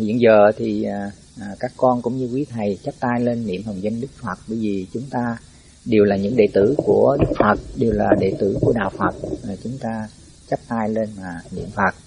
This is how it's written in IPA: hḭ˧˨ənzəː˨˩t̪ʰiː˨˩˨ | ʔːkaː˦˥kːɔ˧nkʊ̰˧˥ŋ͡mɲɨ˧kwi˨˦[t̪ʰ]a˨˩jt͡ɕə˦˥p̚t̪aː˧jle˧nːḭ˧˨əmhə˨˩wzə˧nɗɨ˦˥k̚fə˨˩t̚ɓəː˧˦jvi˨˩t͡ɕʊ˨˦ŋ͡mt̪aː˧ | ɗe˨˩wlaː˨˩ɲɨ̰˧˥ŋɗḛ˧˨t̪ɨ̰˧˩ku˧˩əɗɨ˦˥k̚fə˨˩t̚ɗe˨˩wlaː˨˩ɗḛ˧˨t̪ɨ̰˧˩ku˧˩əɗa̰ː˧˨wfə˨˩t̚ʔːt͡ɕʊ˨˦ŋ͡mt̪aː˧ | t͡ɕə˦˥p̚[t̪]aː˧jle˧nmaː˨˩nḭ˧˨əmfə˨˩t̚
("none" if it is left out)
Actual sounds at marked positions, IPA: t̪ʰ, t̪

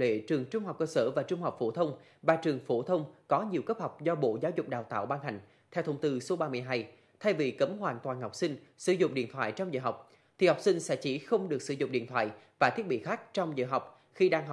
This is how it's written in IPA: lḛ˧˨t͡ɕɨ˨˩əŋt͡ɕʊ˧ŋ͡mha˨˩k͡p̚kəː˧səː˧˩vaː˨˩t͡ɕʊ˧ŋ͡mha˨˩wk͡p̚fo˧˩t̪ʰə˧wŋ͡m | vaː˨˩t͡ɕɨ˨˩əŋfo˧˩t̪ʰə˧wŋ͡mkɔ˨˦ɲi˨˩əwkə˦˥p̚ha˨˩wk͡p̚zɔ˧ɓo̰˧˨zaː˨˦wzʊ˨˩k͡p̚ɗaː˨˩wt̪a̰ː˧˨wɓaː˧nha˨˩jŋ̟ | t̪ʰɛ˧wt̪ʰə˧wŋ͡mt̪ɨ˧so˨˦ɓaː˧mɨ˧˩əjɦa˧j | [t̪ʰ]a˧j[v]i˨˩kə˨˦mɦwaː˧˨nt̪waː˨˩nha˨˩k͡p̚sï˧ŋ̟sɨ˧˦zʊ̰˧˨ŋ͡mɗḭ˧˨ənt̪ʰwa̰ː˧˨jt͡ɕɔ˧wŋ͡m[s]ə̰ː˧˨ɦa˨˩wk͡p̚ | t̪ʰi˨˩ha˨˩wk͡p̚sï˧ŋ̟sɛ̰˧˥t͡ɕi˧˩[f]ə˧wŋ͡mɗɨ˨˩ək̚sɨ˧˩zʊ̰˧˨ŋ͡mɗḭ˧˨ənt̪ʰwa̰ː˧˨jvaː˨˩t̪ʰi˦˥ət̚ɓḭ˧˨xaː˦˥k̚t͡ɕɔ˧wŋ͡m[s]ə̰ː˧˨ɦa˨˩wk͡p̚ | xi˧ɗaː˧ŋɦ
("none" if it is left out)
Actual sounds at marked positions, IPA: t̪ʰ, v, z, x, z

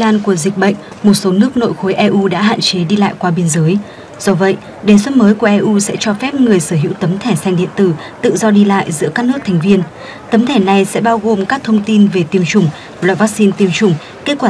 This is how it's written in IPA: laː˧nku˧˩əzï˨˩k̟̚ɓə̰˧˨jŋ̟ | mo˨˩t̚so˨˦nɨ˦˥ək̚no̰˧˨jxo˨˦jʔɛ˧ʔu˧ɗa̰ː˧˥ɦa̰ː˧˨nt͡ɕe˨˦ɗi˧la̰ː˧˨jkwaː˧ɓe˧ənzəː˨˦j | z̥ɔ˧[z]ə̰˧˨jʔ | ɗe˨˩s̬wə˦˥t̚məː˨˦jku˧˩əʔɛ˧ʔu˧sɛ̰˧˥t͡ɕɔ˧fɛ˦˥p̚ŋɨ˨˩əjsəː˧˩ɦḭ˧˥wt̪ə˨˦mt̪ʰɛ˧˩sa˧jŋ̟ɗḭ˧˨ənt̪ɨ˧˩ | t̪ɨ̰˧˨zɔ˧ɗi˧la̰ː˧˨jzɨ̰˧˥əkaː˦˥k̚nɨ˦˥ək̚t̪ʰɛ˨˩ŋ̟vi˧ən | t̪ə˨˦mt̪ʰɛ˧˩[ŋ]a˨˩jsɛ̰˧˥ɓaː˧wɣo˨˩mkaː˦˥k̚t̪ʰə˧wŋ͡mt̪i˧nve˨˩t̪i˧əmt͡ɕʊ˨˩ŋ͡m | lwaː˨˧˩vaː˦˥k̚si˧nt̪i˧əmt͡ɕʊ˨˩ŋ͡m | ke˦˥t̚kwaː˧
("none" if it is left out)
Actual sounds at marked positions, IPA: v, n

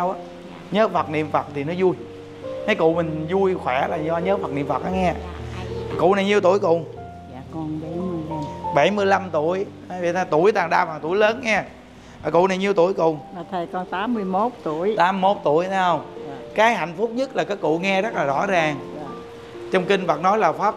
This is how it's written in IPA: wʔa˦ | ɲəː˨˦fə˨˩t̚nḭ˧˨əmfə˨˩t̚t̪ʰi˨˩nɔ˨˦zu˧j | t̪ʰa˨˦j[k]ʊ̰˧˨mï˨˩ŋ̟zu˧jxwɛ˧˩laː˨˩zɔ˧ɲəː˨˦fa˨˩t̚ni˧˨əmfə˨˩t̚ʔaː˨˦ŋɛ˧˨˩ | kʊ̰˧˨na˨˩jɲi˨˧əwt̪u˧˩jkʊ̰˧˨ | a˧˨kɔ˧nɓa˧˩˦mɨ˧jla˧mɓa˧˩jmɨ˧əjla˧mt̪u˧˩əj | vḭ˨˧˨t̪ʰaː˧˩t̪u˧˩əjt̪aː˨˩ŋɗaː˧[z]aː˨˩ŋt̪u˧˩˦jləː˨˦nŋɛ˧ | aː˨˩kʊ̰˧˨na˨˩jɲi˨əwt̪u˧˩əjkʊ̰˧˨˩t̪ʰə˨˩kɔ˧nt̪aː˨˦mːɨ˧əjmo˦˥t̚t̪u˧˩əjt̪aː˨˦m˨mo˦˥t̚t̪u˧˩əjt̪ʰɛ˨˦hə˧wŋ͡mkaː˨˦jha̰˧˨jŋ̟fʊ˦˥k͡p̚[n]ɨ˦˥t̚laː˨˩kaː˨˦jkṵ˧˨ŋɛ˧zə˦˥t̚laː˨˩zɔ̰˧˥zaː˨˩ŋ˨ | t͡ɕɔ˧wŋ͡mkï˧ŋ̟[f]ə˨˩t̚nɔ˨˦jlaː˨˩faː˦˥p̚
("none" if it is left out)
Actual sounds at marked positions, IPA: k, v, ɲ, v

